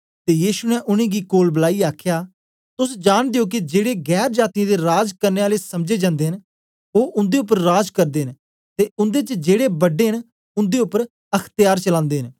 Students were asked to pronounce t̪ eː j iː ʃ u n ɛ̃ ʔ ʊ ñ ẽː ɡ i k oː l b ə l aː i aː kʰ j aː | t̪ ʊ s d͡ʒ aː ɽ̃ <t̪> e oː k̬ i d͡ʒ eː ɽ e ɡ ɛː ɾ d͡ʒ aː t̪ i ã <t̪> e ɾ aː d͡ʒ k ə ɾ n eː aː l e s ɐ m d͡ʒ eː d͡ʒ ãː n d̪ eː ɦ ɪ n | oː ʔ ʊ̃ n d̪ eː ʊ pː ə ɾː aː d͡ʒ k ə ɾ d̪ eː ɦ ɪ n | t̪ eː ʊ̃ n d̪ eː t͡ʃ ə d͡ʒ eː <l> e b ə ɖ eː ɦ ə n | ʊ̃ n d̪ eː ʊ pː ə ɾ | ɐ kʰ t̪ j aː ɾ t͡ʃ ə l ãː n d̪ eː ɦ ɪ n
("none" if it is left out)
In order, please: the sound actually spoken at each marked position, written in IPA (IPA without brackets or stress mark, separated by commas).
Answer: d̪, d̪, ɽ